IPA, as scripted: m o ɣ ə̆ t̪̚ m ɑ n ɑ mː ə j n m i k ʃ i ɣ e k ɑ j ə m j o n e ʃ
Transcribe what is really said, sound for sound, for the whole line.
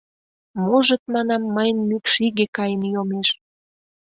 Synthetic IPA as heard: m o ʒ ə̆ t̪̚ m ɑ n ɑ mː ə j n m y k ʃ i ɣ e k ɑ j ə n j o m e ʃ